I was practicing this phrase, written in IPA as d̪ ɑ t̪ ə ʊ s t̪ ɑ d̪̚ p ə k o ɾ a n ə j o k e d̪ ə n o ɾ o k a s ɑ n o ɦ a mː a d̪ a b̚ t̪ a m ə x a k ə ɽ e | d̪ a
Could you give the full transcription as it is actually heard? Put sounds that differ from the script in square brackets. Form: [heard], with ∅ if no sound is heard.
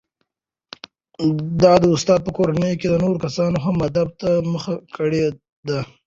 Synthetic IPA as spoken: d̪ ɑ [d̪] ə ʊ s t̪ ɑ d̪̚ p ə k o ɾ a n ə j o k e d̪ ə n o ɾ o k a s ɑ n o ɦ a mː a d̪ a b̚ t̪ a m ə x a k ə ɽ e | d̪ a

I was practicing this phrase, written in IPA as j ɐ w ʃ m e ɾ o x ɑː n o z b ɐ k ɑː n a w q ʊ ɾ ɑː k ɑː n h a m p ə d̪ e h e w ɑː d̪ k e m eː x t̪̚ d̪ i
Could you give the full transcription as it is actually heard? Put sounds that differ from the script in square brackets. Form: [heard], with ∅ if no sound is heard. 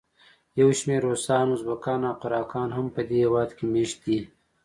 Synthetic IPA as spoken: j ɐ w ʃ m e ɾ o [s] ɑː n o z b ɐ k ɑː n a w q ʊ ɾ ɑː k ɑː n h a m p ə d̪ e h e w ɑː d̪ k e m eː [ʃ] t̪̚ d̪ i

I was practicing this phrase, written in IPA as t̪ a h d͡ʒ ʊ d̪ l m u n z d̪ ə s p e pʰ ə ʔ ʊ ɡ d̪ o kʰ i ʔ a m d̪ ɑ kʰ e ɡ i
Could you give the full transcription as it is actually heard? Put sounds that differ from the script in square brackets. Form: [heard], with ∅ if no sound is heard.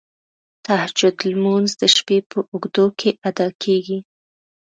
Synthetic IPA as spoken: t̪ a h d͡ʒ ʊ d̪ l m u n z d̪ ə [ʃ] p e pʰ ə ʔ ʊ ɡ d̪ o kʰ [e] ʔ a [∅] d̪ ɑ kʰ e ɡ i

